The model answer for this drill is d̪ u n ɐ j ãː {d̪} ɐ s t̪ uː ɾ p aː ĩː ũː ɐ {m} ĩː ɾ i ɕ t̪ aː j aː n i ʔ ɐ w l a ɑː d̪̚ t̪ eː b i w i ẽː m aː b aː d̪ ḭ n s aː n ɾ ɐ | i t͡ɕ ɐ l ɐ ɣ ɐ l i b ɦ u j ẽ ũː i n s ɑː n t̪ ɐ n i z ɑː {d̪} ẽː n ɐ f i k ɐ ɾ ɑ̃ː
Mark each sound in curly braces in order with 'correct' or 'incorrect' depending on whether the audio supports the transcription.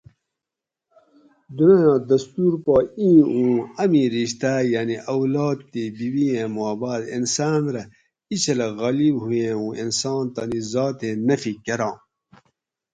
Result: correct, correct, incorrect

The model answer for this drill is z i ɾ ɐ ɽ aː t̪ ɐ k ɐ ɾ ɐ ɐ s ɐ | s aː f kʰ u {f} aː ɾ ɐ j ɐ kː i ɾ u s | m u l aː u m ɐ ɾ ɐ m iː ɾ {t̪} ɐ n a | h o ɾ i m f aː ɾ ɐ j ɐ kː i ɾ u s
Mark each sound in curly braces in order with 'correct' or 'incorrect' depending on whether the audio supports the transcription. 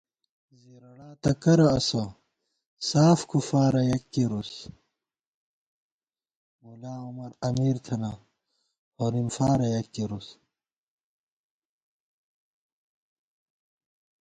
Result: correct, incorrect

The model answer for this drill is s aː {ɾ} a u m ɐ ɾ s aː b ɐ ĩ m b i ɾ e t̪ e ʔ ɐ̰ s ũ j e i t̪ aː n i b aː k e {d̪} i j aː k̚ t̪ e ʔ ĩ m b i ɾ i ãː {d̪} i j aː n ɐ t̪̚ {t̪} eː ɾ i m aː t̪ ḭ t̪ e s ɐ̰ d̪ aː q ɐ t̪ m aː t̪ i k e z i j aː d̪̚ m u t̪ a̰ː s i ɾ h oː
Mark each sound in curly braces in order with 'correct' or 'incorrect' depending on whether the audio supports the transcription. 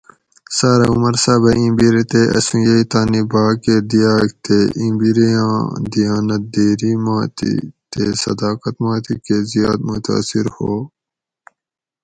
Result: correct, correct, correct, incorrect

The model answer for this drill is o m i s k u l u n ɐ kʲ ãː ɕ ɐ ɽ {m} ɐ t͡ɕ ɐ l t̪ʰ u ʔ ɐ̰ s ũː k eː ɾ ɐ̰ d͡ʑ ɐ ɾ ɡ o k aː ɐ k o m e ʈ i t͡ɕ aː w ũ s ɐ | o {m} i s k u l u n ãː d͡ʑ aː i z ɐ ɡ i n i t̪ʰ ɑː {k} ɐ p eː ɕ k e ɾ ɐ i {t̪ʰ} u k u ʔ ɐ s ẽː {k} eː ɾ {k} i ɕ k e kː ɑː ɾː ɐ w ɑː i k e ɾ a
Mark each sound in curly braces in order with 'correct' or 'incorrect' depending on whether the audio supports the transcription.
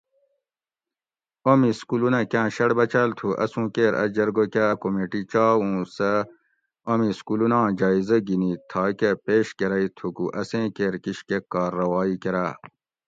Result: incorrect, correct, correct, correct, correct, correct

